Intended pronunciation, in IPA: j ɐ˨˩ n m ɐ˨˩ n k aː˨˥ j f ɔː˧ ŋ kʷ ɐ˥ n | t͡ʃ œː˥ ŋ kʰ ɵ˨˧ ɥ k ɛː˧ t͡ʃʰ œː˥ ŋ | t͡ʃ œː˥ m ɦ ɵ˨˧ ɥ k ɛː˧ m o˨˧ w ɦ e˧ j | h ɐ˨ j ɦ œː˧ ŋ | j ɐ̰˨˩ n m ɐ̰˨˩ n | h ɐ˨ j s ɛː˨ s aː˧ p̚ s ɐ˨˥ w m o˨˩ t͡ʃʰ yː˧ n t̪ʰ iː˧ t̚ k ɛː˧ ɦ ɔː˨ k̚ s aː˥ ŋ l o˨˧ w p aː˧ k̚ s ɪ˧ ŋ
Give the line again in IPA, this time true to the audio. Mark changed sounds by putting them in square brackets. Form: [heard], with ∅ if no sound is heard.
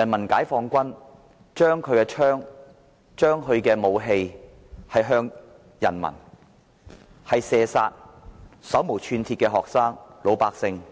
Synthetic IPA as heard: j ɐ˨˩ n m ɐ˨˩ n k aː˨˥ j f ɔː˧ ŋ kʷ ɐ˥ n | t͡ʃ œː˥ ŋ kʰ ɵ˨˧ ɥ k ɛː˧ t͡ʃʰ œː˥ ŋ | t͡ʃ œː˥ [ŋ] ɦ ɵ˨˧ ɥ k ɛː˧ m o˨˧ w ɦ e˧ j | h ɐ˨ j ɦ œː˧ ŋ | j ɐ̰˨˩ n m ɐ̰˨˩ n | h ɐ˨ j s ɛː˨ s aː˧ [t̚] s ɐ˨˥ w m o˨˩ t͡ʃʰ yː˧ n t̪ʰ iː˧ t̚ k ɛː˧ ɦ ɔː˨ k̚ s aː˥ ŋ l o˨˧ w p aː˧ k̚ s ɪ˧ ŋ